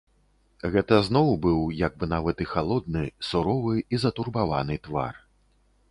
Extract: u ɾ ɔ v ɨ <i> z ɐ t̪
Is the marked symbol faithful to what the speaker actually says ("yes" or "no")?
yes